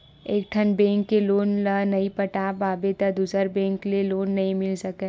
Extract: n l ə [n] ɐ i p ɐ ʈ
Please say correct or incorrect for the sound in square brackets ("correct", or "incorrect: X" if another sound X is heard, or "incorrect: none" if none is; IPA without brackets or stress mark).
correct